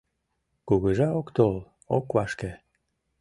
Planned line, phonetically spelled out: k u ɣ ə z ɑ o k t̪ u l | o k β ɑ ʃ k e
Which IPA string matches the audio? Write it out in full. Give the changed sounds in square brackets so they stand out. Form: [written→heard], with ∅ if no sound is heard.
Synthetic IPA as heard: k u ɣ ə [z→ʒ] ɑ o k t̪ [u→o] l | o k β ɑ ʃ k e